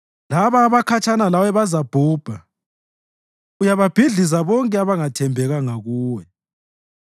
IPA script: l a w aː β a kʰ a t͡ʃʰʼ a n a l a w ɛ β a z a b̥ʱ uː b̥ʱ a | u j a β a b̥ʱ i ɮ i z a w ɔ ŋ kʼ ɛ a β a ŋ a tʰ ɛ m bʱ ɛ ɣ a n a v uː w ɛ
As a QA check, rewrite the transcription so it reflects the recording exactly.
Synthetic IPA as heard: l a β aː β a kʰ a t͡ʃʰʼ a n a l a w ɛ β a z a b̥ʱ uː b̥ʱ a | u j a β a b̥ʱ i ɮ i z a β ɔ ŋ kʼ ɛ a β a ŋ a tʰ ɛ m bʱ ɛ ɣ a ŋ a ɣ uː w ɛ